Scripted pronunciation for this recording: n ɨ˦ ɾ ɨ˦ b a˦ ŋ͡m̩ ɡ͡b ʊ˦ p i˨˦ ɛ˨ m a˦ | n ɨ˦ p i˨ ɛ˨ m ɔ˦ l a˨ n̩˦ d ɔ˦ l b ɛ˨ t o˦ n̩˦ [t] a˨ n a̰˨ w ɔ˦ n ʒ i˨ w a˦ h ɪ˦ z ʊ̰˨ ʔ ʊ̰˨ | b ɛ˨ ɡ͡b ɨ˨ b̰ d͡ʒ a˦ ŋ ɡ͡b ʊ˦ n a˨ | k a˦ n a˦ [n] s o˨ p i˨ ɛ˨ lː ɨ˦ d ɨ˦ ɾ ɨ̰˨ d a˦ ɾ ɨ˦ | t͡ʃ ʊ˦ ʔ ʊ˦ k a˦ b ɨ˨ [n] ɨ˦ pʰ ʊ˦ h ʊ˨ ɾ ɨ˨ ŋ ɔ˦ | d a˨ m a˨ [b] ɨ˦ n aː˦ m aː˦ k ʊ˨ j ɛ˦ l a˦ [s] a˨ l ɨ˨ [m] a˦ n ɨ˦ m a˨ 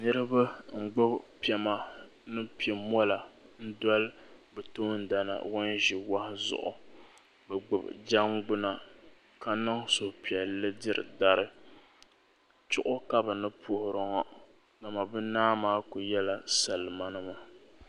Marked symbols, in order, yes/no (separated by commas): no, no, yes, yes, yes, yes